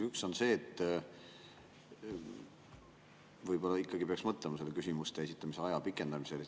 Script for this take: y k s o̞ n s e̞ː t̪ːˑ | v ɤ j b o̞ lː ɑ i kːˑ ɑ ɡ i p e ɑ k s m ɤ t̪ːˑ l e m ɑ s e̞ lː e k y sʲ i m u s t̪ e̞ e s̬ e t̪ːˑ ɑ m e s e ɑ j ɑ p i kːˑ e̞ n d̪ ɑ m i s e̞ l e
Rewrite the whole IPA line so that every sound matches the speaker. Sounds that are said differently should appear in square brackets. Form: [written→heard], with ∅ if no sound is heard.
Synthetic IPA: y k s o̞ n s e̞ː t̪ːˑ | v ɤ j b o̞ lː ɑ i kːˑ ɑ ɡ i p e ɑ k s m ɤ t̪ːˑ l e m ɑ s e̞ lː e k y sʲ i m u s t̪ e̞ e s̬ [e→i] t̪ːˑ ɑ m [e→i] s e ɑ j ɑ p i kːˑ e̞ n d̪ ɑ m i s e̞ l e